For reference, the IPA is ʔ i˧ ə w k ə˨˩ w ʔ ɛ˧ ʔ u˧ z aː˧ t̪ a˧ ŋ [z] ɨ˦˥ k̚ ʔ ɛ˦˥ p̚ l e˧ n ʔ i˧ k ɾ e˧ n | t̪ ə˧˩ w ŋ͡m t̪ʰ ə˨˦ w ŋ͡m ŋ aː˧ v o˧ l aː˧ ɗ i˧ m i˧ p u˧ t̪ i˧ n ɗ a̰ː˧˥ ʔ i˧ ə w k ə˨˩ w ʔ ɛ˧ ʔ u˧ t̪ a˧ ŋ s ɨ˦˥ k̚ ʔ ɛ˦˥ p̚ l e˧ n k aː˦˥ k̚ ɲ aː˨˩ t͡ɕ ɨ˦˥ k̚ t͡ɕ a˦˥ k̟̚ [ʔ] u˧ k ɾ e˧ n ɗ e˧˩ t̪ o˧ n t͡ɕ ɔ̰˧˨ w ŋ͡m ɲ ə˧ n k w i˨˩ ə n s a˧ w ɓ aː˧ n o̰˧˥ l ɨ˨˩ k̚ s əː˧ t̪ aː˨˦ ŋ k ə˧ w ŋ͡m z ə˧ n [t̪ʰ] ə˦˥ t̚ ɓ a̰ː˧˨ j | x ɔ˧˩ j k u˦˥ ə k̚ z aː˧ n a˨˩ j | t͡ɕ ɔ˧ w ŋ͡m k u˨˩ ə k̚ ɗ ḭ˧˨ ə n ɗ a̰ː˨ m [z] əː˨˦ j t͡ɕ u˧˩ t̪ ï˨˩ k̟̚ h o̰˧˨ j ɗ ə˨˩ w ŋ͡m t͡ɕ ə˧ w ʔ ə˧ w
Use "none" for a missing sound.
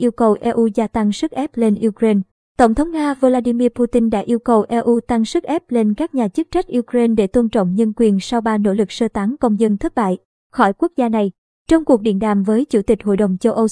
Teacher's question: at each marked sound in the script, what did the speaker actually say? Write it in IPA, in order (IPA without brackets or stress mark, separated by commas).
s, ʔ, t̪ʰ, v